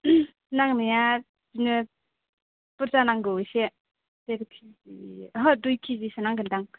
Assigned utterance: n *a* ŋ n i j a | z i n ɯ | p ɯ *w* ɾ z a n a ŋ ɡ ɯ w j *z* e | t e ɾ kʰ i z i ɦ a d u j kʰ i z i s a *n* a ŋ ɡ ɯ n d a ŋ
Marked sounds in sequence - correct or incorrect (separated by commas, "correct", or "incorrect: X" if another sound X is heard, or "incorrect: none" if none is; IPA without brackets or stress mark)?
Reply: correct, incorrect: none, incorrect: s, correct